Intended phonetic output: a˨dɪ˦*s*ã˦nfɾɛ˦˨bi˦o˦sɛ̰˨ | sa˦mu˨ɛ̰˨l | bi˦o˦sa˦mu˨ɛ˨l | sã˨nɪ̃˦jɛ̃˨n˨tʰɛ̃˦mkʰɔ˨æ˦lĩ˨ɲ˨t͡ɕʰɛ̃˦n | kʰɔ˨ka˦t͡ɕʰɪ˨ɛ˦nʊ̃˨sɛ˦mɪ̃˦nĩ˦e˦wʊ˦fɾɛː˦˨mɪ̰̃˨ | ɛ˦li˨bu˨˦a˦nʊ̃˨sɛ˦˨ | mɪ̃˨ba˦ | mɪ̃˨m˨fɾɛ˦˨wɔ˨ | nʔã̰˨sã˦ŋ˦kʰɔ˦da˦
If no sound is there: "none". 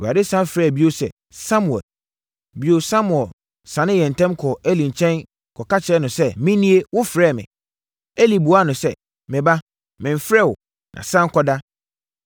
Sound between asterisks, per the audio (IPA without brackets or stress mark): s